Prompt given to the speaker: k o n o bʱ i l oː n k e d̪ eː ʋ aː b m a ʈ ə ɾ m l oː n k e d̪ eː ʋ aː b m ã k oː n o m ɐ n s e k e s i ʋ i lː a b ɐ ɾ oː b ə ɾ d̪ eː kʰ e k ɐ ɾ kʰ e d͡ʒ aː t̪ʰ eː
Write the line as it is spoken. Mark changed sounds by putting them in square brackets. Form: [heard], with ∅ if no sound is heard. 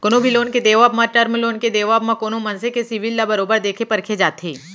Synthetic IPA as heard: k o n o bʱ i l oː n k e d̪ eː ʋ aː b m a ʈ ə ɾ m l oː n k e d̪ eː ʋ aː b m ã k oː n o m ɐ n s e k e s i ʋ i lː a b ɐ ɾ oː b ə ɾ d̪ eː kʰ e [p] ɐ ɾ kʰ e d͡ʒ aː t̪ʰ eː